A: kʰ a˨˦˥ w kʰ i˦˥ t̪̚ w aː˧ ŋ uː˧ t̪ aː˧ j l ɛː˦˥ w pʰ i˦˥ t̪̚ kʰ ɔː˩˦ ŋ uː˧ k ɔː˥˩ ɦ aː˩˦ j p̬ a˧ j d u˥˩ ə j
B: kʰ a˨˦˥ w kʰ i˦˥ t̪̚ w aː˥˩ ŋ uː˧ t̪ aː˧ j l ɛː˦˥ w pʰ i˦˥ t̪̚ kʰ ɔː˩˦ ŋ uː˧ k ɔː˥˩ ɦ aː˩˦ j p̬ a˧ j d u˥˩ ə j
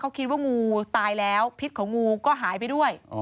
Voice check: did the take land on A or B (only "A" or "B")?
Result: B